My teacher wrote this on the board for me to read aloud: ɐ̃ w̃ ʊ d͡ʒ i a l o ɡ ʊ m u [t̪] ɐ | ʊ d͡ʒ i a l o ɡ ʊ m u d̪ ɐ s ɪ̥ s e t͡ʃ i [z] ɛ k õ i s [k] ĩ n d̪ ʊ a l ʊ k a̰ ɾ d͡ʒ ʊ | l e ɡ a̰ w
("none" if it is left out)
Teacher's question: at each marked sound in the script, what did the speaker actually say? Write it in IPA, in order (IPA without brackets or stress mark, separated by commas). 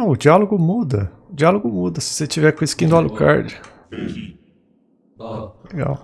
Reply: d̪, v, k